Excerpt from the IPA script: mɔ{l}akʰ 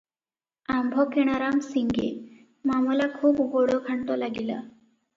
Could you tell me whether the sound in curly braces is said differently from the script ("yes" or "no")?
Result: no